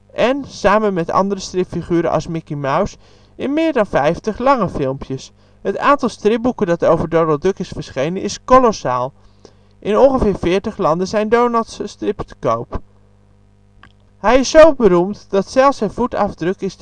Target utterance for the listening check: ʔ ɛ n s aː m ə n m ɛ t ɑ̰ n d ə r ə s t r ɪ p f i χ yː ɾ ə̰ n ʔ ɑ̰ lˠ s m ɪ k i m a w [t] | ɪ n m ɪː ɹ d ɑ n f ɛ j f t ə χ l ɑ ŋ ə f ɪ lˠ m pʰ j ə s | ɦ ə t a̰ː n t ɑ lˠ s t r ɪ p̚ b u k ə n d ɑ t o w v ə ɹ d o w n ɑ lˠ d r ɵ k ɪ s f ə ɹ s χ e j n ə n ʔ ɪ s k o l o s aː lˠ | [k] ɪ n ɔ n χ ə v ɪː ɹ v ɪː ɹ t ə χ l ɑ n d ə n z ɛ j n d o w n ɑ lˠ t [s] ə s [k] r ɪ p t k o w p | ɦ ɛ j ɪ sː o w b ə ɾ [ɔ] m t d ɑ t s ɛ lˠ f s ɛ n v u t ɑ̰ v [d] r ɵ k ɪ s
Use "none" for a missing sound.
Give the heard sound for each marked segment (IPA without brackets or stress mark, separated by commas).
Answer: s, ʔ, s, t, u, d